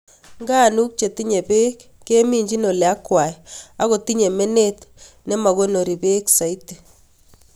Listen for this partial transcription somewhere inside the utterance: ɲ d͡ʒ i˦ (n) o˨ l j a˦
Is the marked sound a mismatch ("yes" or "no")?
no